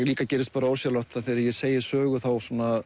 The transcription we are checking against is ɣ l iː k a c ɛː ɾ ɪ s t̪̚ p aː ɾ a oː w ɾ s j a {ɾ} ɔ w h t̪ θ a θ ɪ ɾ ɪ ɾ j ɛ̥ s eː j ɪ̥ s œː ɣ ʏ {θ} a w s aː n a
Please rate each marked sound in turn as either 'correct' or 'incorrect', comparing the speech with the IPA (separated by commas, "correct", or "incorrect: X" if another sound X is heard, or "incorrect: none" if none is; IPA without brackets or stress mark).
incorrect: l, correct